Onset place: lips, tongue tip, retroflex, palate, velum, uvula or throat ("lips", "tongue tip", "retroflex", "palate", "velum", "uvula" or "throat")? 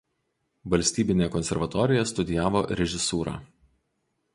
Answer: lips